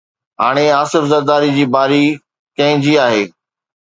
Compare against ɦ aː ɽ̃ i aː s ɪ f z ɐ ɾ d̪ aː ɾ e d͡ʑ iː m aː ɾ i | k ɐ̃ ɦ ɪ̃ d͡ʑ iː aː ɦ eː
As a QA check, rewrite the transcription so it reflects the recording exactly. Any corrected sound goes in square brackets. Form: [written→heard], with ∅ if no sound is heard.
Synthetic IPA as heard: ɦ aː ɽ̃ [i→e] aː s ɪ f z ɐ ɾ d̪ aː ɾ [e→i] d͡ʑ iː [m→b] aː ɾ i | k ɐ̃ ɦ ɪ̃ d͡ʑ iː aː ɦ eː